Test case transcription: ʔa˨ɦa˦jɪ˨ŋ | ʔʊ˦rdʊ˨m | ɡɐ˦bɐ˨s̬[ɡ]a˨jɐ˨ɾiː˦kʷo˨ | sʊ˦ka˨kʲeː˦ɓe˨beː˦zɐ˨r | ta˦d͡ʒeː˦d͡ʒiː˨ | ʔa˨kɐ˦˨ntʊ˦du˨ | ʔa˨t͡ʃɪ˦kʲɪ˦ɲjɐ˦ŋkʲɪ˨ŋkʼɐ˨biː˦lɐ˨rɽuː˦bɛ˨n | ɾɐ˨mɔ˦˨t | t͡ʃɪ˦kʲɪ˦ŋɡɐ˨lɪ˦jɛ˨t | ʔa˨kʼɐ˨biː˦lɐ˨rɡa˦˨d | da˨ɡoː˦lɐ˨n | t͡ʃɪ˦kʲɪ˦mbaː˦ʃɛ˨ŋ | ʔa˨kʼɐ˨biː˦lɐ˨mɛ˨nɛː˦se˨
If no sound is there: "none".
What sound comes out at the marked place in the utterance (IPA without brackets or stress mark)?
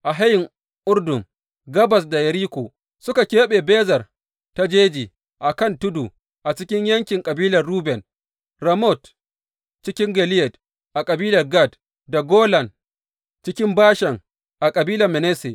d